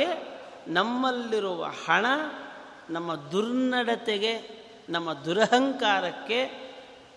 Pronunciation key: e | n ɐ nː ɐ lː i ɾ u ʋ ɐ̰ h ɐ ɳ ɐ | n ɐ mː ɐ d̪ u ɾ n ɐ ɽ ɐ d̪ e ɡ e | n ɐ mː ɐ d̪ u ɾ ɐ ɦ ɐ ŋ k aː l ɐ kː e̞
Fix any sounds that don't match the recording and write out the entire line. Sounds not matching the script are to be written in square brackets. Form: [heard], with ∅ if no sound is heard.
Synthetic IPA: e | n ɐ [mː] ɐ lː i ɾ u ʋ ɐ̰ h ɐ ɳ ɐ | n ɐ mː ɐ d̪ u ɾ n ɐ ɽ ɐ [t̪] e ɡ e | n ɐ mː ɐ d̪ u ɾ ɐ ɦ ɐ ŋ k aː [ɾ] ɐ kː e̞